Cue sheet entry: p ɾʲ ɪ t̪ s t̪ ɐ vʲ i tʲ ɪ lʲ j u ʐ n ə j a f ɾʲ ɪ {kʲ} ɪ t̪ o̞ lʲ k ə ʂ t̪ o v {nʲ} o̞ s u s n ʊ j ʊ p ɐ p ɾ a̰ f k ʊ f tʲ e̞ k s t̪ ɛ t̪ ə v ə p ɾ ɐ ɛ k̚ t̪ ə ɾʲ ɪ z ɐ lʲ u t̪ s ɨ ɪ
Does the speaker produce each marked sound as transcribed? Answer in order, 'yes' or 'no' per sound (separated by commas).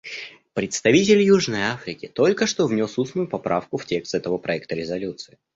yes, yes